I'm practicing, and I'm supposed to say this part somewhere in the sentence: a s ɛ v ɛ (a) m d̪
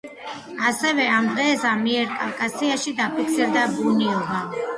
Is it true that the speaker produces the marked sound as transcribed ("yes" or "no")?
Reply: yes